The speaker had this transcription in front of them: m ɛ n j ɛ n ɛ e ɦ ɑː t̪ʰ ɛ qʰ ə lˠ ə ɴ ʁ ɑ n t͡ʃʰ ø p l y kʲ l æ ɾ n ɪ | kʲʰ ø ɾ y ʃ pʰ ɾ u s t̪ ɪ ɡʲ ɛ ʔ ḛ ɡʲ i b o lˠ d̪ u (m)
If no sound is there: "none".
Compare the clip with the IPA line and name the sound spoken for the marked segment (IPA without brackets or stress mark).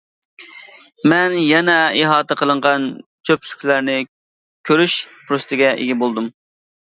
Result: m